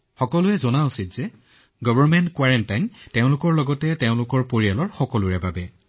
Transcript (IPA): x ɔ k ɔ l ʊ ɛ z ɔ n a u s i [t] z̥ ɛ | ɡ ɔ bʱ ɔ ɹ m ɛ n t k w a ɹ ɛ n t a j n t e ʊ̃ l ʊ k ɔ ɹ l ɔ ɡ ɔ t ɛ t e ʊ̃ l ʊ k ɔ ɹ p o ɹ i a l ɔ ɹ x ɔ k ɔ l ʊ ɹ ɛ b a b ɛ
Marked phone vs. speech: correct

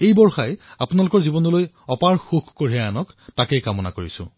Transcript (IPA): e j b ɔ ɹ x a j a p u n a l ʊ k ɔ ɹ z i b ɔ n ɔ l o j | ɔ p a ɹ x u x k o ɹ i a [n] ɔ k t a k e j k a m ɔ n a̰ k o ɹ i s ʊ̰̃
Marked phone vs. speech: correct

